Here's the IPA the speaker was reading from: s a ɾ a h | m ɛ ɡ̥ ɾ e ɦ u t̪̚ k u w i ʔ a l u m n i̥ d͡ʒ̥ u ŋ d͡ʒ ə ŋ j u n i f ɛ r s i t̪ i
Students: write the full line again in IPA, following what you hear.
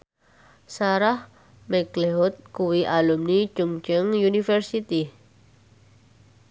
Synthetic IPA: s a ɾ a h | m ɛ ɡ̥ l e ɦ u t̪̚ k u w i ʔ a l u m n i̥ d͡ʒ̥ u ŋ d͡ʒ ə ŋ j u n i f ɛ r s i t̪ i